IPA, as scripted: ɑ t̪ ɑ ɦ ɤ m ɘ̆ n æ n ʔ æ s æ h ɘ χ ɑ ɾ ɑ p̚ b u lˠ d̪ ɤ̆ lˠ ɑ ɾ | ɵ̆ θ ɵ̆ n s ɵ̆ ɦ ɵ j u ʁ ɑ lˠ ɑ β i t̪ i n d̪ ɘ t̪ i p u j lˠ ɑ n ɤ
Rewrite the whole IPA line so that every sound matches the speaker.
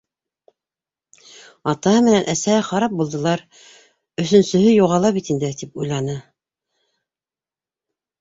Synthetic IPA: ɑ t̪ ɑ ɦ ɤ m ɘ̆ n æ n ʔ æ s æ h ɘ χ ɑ ɾ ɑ p̚ b u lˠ d̪ ɤ̆ lˠ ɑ ɾ | ɵ̆ θ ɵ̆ n s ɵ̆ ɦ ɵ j u ʁ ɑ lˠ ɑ β i t̪ i n d̪ ɘ t̪ i p u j lˠ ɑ n ɤ